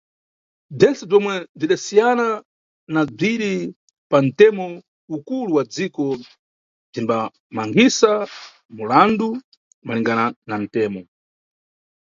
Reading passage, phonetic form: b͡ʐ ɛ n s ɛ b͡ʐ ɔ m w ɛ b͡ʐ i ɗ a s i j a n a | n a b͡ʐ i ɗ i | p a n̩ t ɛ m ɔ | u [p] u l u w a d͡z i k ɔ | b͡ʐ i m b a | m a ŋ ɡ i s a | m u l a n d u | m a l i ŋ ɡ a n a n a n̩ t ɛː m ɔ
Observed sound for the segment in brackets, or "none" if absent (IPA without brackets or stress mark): k